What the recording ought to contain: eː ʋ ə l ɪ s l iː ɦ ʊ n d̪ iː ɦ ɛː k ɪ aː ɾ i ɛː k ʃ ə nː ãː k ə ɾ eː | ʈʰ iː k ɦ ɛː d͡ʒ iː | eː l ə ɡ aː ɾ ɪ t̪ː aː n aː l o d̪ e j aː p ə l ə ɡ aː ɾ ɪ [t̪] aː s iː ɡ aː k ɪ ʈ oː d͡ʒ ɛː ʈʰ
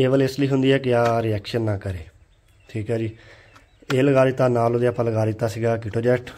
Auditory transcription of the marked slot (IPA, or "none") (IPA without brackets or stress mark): t̪